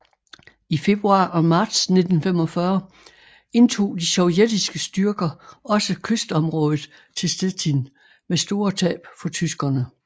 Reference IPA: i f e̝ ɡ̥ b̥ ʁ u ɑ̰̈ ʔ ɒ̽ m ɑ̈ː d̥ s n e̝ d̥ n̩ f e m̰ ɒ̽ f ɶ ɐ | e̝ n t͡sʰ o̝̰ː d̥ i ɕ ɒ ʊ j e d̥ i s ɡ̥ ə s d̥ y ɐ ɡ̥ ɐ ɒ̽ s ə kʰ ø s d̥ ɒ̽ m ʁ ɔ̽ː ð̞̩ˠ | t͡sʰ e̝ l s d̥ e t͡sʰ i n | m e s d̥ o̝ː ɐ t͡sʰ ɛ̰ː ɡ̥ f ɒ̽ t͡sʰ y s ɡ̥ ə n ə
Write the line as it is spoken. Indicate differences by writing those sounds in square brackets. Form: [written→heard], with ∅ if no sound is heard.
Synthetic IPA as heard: i f e̝ [ɡ̥→∅] b̥ ʁ u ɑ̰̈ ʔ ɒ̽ m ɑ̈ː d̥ s n e̝ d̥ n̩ f e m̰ ɒ̽ f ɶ ɐ | e̝ n t͡sʰ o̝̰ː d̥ i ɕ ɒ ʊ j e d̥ i s ɡ̥ ə s d̥ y ɐ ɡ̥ ɐ ɒ̽ s ə kʰ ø s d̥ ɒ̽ m ʁ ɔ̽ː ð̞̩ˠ | t͡sʰ e̝ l s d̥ e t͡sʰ i n | m e s d̥ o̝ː ɐ t͡sʰ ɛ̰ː [ɡ̥→b̥] f ɒ̽ t͡sʰ y s ɡ̥ [ə→ɐ] n ə